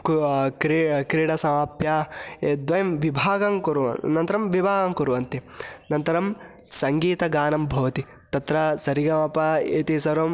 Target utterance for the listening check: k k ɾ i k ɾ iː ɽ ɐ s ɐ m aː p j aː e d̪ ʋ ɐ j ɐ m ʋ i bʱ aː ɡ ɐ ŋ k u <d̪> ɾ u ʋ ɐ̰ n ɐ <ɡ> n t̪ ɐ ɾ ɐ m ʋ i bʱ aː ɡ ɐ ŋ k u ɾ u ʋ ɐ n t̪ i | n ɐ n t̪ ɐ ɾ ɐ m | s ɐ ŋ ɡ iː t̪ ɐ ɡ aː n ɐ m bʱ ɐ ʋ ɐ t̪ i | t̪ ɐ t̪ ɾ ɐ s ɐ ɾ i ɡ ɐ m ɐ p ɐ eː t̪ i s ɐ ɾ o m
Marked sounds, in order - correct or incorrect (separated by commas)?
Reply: incorrect, incorrect